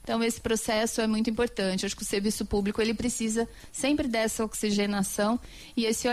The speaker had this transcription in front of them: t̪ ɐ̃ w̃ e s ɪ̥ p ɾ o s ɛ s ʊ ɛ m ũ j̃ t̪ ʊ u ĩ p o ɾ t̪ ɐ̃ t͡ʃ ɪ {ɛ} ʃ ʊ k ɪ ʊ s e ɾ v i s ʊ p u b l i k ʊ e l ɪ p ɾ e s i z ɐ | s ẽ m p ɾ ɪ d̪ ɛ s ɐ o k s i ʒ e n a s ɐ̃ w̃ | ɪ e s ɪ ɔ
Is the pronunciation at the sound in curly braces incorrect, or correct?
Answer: incorrect